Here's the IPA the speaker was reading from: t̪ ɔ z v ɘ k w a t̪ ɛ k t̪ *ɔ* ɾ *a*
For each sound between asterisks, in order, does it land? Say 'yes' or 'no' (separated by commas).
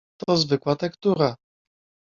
no, yes